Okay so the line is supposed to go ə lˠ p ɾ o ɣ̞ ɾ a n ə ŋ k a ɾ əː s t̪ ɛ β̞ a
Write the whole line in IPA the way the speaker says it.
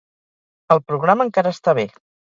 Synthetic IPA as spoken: ə lˠ p ɾ u ɣ̞ ɾ a m ə ŋ k a ɾ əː s t̪ a β̞ e